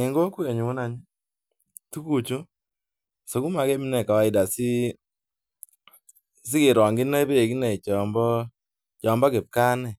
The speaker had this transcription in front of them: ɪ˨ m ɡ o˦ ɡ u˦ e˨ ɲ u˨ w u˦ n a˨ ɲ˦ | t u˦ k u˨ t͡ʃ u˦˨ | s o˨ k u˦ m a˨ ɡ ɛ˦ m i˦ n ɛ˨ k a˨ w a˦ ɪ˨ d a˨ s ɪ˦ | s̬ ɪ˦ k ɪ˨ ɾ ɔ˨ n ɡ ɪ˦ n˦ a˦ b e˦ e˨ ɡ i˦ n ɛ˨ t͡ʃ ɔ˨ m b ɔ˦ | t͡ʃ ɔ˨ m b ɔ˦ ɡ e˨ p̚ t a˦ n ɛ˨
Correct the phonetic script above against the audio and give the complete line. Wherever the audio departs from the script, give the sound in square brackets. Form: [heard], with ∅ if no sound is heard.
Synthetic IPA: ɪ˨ [ŋ] ɡ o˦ [k] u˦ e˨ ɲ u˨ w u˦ n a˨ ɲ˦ | t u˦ k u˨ t͡ʃ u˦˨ | s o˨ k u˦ m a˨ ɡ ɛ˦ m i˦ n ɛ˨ k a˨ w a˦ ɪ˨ d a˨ s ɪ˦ | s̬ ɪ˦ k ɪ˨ ɾ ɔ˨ [ŋ] ɡ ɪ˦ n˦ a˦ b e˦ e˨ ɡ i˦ n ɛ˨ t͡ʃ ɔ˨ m b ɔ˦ | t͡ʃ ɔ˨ m b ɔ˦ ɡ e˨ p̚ [k] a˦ n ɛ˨